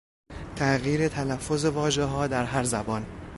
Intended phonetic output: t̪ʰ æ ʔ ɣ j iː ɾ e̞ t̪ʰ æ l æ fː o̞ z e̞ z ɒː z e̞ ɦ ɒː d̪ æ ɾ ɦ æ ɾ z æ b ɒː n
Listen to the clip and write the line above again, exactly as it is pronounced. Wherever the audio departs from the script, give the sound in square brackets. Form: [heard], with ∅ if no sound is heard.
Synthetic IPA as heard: t̪ʰ æ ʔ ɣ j iː ɾ e̞ t̪ʰ æ l æ fː o̞ z e̞ [v] ɒː [ʒ] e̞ ɦ ɒː d̪ æ ɾ ɦ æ ɾ z æ b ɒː n